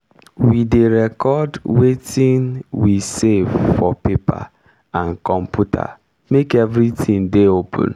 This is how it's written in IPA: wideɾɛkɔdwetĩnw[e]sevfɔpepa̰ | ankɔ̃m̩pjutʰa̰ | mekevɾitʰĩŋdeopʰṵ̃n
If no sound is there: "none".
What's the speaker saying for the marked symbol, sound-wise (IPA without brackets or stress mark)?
i